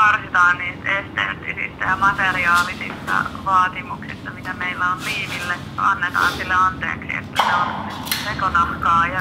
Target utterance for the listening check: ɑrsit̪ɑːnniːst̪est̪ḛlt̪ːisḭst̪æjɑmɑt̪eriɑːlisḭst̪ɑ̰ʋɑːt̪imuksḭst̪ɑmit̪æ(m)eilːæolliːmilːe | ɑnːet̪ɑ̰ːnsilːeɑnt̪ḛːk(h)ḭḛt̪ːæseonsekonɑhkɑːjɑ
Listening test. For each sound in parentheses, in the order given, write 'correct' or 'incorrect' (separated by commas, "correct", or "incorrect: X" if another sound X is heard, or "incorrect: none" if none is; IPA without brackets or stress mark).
correct, incorrect: s